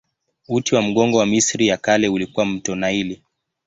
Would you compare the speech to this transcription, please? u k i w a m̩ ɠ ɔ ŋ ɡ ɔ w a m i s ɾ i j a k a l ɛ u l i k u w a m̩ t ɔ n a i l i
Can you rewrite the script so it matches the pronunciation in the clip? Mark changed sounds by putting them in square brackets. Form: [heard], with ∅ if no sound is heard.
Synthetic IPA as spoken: u [t] i w a m̩ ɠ ɔ ŋ ɡ ɔ w a m i s ɾ i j a k a l ɛ u l i k u w a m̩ t ɔ n a i l i